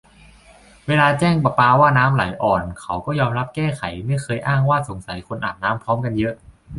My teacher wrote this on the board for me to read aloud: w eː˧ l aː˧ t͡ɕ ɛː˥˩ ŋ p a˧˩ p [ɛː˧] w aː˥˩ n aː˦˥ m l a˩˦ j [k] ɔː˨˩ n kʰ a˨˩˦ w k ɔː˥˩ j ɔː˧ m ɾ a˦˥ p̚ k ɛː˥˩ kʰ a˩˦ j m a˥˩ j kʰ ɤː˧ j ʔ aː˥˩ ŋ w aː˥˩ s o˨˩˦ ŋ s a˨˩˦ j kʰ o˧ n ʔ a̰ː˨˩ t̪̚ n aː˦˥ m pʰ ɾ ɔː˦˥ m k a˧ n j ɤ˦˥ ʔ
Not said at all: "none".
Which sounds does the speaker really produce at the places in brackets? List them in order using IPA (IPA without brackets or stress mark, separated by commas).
aː˧, ʔ